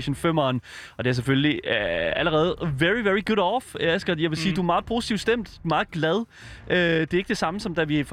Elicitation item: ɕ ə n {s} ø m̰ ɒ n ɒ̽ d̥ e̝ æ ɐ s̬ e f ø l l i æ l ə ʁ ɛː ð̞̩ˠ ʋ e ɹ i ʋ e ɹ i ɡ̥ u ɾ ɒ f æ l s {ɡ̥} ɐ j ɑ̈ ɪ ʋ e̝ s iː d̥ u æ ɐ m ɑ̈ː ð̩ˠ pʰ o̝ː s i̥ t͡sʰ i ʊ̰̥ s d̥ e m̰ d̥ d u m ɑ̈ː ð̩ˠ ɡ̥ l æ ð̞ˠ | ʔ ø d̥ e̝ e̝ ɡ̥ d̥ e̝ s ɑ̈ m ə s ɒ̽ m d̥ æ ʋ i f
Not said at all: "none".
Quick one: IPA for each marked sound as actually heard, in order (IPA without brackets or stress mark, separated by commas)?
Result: f, ɡ̥